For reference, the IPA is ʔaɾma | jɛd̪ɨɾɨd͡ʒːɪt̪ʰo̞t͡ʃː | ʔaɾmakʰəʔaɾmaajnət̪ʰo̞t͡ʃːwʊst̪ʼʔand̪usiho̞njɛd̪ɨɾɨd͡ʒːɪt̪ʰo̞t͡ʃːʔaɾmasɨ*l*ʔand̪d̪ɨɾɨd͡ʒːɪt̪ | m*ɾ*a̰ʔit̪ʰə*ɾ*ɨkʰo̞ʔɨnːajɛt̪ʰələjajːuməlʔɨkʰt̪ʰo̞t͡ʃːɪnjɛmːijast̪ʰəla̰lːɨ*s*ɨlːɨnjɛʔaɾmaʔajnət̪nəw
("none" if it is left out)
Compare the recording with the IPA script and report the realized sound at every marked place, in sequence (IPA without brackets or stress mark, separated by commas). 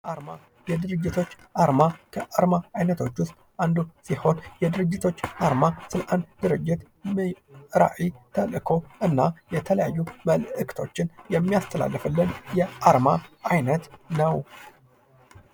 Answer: l, ɾ, l, f